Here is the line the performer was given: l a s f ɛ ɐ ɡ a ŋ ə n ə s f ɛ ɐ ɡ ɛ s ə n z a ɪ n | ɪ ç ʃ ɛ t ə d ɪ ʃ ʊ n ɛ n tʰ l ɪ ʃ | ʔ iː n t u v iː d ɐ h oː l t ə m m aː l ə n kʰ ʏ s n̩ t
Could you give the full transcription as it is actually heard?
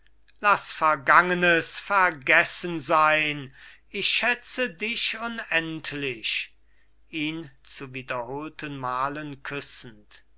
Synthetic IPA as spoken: l a s f ɛ ɐ ɡ a ŋ ə n ə s f ɛ ɐ ɡ ɛ s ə n z a ɪ n | ɪ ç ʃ ɛ t͡s ə d ɪ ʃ ʊ n ɛ n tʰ l ɪ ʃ | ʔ iː n t͡s u v iː d ɐ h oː l t ə n m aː l ə n kʰ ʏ s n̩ t